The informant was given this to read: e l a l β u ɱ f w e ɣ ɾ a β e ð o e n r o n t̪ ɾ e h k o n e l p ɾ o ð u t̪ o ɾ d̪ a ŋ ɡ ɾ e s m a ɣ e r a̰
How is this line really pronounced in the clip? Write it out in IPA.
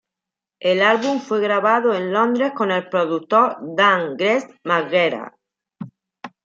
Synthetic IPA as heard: e l a l β u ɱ f w e ɣ ɾ a β a ð o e n l o n d̪ ɾ e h k o n e l p ɾ o ð u t̪ o ɾ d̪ a ŋ ɡ ɾ e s m a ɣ e ɾ a̰